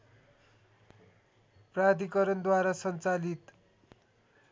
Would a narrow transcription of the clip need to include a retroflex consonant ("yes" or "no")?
no